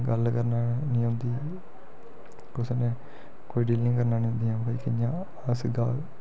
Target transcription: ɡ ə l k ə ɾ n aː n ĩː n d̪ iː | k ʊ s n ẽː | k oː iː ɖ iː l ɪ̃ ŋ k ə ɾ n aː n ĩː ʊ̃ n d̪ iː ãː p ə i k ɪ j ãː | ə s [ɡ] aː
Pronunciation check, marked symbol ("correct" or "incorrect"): correct